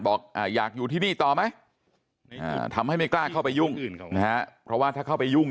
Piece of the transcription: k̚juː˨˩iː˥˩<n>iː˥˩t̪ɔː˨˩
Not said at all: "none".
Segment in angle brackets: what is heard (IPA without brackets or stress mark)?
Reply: n